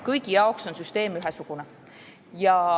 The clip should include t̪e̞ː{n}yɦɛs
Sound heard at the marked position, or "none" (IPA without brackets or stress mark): m